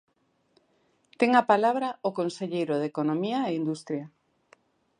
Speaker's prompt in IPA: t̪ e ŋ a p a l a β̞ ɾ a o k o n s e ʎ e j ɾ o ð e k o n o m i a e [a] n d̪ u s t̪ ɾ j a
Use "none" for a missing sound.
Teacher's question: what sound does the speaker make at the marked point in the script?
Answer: i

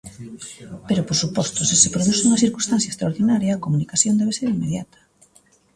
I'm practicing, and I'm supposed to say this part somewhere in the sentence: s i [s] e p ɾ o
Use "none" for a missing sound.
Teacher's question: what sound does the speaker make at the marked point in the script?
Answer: s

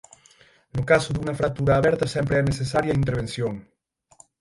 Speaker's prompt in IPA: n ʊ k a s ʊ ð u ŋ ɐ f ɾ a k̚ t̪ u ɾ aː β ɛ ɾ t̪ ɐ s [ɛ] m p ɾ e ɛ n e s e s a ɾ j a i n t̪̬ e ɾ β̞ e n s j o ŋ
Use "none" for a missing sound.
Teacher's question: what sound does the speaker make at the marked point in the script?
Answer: ɛ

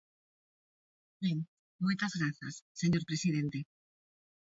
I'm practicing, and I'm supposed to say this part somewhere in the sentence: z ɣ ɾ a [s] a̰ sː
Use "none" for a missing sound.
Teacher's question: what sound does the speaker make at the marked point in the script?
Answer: θ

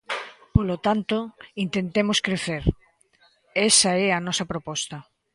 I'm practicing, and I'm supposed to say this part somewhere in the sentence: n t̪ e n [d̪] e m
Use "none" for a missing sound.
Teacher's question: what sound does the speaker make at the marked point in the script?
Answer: t̪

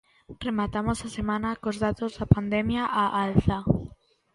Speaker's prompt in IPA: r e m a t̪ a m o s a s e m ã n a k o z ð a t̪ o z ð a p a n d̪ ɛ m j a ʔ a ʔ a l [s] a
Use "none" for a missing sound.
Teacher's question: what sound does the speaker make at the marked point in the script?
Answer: θ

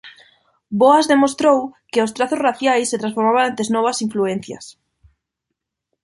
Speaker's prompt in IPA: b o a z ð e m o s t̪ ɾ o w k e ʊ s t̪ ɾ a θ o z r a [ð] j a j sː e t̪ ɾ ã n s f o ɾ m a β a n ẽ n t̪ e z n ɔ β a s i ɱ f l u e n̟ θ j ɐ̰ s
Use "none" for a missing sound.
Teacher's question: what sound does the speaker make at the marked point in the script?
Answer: θ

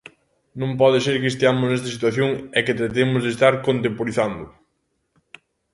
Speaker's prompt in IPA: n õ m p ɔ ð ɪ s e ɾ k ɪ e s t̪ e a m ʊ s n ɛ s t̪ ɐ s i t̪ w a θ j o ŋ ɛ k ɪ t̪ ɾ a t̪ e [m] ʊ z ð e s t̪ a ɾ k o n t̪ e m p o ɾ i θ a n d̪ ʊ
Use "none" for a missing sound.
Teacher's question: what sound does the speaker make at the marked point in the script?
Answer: m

